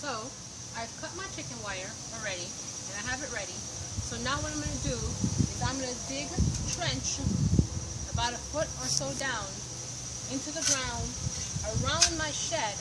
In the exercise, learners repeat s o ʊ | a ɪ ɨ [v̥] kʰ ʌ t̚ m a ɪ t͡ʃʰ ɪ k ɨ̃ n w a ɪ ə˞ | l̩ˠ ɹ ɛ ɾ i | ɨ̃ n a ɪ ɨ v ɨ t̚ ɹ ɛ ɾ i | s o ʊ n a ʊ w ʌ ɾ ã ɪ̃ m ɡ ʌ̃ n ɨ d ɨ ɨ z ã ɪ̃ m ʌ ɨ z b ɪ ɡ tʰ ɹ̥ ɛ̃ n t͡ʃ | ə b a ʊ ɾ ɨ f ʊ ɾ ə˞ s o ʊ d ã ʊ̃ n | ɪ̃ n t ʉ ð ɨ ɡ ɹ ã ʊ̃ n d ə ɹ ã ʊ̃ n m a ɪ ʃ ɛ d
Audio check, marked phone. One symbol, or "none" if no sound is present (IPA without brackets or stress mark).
v̥